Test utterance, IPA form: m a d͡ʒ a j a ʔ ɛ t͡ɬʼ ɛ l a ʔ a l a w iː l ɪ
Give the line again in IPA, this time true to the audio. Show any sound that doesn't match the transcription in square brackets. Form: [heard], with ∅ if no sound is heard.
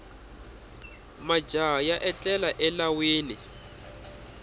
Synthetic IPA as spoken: m a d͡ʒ a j a ʔ ɛ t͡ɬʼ ɛ l a ʔ [ɛ] l a w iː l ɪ